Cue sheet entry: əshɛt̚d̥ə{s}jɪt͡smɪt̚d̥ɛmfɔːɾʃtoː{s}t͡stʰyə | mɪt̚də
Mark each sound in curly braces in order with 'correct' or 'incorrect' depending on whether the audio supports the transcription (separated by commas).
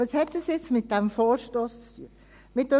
correct, correct